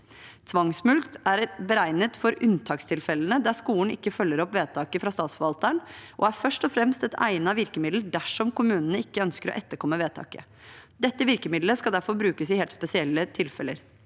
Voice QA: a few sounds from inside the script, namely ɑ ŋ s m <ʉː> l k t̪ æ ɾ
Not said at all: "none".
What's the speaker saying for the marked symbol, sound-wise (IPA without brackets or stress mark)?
ʉ